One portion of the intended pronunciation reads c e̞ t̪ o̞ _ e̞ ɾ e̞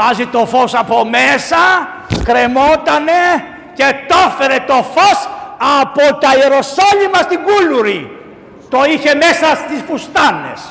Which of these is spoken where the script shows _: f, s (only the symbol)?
f